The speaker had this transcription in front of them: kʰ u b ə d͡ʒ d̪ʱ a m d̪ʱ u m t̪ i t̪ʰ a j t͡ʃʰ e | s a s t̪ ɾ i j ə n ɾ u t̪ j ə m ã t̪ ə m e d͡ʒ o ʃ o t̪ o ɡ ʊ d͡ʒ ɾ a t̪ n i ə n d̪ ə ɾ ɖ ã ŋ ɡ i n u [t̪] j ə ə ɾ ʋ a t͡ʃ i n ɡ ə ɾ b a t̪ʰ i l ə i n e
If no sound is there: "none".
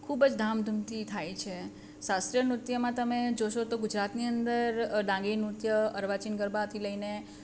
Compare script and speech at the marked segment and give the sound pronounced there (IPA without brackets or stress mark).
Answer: t̪